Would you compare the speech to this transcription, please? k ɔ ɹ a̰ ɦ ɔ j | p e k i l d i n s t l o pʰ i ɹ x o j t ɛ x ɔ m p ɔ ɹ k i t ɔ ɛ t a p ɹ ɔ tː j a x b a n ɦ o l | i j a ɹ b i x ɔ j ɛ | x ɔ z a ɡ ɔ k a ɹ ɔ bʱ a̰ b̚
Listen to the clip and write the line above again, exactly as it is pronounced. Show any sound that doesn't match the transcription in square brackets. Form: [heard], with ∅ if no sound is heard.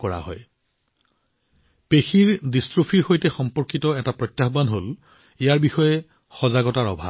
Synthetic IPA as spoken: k ɔ ɹ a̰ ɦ ɔ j | p e [x] i [ɹ] d i [∅] s t [ɹ] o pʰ i ɹ x o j t ɛ x ɔ m p ɔ ɹ k i t ɔ ɛ t a p ɹ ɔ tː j a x b a n ɦ o l | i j a ɹ b i x ɔ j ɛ | x ɔ z a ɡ ɔ [t] a ɹ ɔ bʱ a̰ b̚